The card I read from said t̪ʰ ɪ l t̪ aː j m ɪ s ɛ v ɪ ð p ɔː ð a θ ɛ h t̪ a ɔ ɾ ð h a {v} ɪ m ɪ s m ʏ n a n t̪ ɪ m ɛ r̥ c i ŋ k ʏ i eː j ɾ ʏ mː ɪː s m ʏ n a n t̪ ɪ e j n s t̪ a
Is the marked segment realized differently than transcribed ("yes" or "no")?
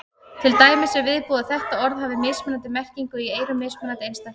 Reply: no